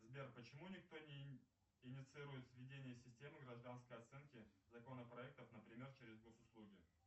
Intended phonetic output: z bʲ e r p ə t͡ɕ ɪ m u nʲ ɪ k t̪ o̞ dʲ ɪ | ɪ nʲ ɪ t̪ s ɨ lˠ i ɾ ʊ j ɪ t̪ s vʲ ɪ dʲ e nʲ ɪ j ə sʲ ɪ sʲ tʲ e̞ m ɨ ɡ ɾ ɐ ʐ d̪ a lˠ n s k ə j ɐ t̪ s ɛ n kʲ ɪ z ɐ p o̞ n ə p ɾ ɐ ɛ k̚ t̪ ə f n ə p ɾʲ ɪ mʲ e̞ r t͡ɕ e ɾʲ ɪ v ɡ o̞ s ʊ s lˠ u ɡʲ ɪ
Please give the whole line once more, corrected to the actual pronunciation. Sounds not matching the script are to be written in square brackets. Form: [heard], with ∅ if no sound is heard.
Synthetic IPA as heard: z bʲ e r p ə t͡ɕ ɪ m u nʲ ɪ k t̪ o̞ [nʲ] ɪ | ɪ nʲ ɪ t̪ s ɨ [∅] i ɾ ʊ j ɪ t̪ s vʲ ɪ dʲ e nʲ ɪ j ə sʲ ɪ sʲ tʲ e̞ m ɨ ɡ ɾ ɐ ʐ d̪ a [∅] n s k ə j ɐ t̪ s ɛ n kʲ ɪ z ɐ [k] o̞ n ə p ɾ ɐ ɛ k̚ t̪ ə f n ə p ɾʲ ɪ mʲ e̞ r t͡ɕ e ɾʲ ɪ [z] ɡ o̞ s ʊ s lˠ u ɡʲ ɪ